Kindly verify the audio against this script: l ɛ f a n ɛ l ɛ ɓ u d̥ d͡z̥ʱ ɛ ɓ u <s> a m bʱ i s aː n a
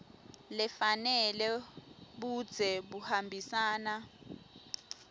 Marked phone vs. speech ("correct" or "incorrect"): incorrect